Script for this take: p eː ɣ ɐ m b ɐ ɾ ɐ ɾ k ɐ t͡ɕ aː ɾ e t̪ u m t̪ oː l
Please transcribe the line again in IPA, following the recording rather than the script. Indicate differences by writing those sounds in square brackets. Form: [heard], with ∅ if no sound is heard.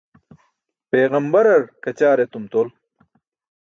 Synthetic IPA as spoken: p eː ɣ ɐ m b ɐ ɾ ɐ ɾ k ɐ t͡ɕ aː ɾ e t̪ u m t̪ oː l